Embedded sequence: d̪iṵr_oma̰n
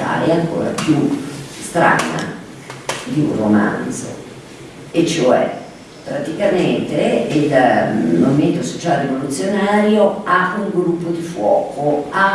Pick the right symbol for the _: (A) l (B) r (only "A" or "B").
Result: B